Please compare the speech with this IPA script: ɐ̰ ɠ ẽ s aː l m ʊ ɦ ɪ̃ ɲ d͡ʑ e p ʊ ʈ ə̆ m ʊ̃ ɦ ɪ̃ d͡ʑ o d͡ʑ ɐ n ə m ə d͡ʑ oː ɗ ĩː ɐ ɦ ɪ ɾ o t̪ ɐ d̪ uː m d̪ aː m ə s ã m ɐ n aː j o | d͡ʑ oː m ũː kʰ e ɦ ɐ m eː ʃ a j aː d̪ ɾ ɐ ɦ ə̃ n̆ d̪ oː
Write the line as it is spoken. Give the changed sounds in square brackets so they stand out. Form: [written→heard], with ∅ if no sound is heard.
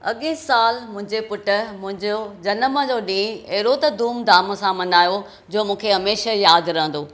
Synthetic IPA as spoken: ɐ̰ ɠ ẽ s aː l m [ʊ→ʊ̃] ɦ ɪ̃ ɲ d͡ʑ e p ʊ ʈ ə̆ m ʊ̃ ɦ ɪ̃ d͡ʑ o d͡ʑ ɐ n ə m ə d͡ʑ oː ɗ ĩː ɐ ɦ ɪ ɾ o t̪ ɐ d̪ uː m d̪ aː m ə s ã m ɐ n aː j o | d͡ʑ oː m ũː kʰ e ɦ ɐ m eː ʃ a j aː d̪ ɾ ɐ ɦ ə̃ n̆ d̪ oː